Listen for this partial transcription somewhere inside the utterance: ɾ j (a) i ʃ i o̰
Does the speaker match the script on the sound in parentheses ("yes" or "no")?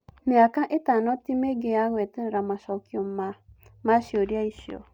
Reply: yes